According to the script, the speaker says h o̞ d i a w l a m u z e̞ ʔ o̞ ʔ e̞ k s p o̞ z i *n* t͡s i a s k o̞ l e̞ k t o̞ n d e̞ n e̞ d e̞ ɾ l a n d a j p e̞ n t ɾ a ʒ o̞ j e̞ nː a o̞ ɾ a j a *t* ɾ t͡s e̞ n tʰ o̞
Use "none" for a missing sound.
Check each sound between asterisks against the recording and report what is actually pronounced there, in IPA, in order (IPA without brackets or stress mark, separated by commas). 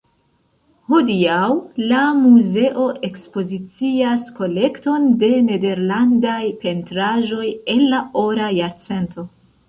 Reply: none, none